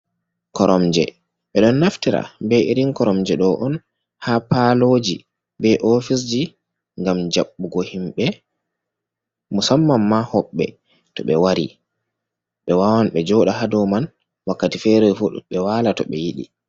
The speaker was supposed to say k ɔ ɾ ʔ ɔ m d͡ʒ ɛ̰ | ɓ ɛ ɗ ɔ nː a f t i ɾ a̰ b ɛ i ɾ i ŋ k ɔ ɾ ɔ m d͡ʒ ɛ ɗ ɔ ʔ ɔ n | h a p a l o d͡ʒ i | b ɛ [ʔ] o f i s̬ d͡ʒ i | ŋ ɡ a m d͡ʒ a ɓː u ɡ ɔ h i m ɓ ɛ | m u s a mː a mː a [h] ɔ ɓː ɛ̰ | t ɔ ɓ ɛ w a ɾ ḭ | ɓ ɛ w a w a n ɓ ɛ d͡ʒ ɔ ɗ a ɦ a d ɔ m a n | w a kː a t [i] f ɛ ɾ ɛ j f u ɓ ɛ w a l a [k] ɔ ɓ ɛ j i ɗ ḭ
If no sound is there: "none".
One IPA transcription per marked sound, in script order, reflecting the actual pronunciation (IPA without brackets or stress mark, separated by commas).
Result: ʔ, h, i, t